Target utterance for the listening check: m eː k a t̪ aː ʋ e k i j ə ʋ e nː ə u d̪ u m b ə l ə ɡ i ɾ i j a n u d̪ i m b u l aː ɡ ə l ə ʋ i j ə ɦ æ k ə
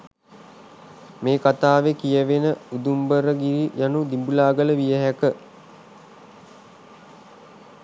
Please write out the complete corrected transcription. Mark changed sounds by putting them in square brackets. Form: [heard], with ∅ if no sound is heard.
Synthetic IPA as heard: m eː k a t̪ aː ʋ e k i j ə ʋ e [n] ə u d̪ u m b ə [ɾ] ə ɡ i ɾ i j a n u d̪ i m b u l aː ɡ ə l ə ʋ i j ə ɦ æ k ə